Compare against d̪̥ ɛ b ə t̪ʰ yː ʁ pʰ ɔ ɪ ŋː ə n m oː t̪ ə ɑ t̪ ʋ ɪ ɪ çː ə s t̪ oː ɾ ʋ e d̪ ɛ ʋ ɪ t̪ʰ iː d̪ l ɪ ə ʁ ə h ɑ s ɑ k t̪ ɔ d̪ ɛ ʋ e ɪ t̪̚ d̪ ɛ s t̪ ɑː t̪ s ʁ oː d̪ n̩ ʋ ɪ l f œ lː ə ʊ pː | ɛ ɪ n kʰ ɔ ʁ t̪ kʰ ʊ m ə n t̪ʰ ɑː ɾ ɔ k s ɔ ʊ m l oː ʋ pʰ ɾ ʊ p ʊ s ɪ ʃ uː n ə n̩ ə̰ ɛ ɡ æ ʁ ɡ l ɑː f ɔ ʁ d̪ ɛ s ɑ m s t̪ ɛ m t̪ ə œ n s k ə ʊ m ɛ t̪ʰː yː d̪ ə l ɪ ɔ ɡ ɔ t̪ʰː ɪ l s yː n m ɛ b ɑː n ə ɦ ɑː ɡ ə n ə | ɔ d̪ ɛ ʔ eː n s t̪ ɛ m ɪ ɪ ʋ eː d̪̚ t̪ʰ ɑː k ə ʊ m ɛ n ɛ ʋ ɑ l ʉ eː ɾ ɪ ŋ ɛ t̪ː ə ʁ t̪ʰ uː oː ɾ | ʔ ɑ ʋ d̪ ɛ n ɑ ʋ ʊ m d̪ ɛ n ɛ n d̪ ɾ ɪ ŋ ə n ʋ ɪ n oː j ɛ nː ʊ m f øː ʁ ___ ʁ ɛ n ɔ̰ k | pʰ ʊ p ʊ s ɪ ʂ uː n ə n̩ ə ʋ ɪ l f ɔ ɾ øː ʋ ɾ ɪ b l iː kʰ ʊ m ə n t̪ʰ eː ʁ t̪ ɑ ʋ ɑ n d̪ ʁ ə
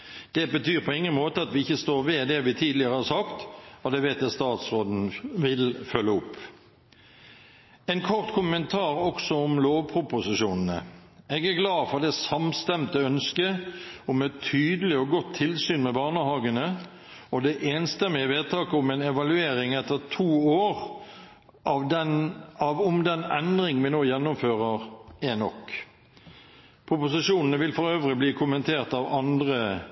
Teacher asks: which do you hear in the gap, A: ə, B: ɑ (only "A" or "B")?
A